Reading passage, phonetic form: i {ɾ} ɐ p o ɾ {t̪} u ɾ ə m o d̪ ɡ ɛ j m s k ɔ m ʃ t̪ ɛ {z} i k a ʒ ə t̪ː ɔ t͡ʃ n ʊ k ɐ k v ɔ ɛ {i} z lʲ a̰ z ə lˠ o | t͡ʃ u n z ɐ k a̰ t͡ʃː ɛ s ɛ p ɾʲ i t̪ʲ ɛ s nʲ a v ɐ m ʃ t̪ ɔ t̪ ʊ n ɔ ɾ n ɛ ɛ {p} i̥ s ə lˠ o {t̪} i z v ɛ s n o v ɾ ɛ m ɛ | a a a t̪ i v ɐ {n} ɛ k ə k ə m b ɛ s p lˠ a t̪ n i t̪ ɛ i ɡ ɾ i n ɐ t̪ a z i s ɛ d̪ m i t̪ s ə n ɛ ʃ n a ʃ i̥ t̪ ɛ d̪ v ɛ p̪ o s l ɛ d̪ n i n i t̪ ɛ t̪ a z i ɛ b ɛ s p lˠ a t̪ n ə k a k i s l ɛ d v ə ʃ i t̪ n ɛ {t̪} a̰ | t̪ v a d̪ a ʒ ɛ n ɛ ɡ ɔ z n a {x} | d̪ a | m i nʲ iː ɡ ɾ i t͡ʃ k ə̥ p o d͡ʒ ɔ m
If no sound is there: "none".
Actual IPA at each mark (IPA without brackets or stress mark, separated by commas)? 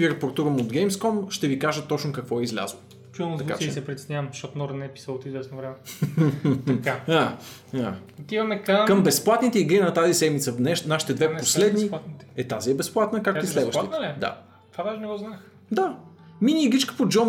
ɾ, t̪, v, i, p, t̪, m, d̪, x